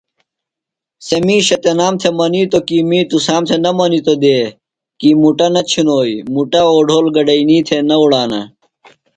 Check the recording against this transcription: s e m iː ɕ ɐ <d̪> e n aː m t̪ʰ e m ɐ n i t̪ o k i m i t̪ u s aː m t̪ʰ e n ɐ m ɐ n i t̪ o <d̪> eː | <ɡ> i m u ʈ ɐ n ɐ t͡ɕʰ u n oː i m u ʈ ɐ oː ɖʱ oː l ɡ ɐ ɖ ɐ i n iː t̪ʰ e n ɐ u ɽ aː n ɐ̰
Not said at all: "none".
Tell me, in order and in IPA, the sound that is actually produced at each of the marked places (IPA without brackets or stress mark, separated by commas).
t̪, d̪, k